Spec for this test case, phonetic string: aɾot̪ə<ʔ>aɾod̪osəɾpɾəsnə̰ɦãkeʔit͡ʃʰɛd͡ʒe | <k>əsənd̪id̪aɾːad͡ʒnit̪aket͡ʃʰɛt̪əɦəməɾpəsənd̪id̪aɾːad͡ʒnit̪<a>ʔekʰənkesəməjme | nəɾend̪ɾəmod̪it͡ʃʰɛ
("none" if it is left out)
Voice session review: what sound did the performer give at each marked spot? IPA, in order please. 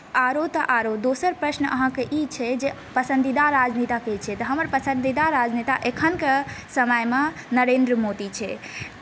ʔ, p, a

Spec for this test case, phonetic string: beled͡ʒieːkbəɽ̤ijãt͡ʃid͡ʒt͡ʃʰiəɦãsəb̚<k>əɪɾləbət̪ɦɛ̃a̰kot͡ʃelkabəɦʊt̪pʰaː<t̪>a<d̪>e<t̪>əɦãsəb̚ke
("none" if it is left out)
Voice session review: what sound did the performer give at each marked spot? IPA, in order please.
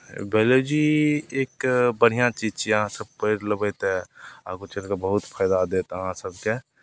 p, d̪, d̪, t̪

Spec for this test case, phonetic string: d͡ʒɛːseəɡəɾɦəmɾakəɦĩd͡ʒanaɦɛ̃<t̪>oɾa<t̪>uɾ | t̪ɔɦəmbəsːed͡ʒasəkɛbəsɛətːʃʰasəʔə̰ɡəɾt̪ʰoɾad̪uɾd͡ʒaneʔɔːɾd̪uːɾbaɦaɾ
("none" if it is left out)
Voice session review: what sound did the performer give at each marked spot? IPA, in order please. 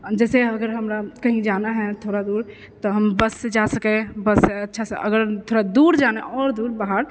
t̪ʰ, d̪

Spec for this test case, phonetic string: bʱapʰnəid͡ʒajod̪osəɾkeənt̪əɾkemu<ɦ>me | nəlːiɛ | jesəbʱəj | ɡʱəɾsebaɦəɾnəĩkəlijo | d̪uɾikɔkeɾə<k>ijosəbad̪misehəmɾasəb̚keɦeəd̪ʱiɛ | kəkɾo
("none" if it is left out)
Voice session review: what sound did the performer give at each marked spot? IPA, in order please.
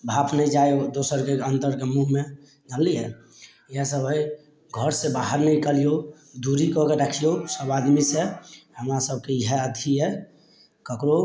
ɦ, kʰ

